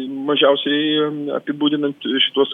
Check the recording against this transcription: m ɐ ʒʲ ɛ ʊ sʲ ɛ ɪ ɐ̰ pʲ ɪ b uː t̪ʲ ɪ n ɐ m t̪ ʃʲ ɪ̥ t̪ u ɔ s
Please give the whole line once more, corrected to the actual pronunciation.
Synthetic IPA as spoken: m ɐ ʒʲ ɛ ʊ sʲ ɛ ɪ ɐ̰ pʲ ɪ b uː d̪ʲ ɪ n ɐ n t̪ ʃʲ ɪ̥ t̪ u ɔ s